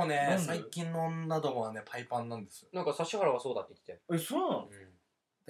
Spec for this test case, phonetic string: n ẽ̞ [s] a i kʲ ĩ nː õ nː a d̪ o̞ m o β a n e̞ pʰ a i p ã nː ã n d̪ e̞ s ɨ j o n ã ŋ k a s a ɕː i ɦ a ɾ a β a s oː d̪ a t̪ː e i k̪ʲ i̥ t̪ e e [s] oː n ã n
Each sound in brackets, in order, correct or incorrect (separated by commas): correct, correct